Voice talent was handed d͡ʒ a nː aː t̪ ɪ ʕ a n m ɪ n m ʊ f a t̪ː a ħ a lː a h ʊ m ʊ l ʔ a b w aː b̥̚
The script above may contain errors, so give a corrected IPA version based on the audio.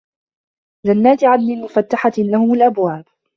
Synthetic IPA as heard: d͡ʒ a nː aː t̪ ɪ ʕ a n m ɪ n m ʊ f a t̪ː a ħ a l a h ʊ m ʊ l ʔ a b w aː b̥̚